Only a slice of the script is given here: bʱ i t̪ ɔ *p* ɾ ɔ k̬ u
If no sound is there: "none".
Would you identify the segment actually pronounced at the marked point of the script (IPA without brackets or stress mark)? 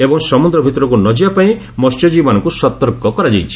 none